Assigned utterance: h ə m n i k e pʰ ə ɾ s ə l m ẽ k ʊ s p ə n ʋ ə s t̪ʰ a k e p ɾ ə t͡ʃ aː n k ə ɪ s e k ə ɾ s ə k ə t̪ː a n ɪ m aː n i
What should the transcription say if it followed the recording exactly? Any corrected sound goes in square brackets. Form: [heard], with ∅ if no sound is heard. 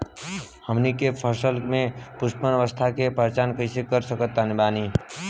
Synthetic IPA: h ə m n i k e pʰ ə ɾ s ə l m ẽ [p] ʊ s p ə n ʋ ə s t̪ʰ a k e p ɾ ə t͡ʃ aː n k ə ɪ s e k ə ɾ s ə k ə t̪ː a n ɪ [b] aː n i